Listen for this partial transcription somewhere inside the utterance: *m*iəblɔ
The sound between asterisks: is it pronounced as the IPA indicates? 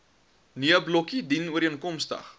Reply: no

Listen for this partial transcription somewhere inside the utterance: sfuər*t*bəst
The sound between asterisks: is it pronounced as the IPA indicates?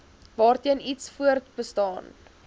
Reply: yes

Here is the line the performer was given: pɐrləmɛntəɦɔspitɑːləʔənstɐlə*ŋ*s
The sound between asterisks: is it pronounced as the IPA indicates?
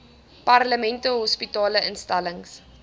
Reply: yes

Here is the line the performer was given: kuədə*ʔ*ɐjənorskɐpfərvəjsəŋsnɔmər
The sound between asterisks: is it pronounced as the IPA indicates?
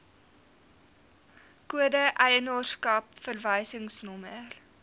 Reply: yes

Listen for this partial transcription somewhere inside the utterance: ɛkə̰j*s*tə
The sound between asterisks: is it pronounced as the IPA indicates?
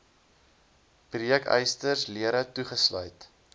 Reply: yes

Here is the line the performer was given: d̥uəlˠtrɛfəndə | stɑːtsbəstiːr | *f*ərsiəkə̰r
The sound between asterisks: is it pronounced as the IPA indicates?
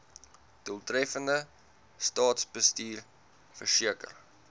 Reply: yes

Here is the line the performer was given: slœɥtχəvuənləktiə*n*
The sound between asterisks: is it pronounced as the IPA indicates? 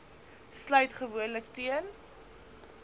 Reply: yes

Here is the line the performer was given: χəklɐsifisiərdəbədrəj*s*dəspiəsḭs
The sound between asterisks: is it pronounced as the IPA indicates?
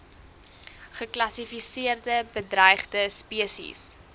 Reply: no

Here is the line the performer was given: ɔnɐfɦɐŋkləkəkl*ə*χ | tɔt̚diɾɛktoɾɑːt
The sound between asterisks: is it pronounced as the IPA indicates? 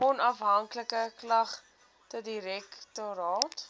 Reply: no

